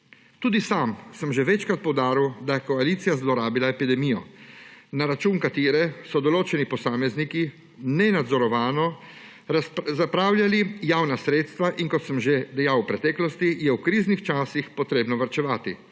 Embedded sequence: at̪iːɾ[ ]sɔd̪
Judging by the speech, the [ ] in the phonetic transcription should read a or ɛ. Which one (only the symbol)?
ɛ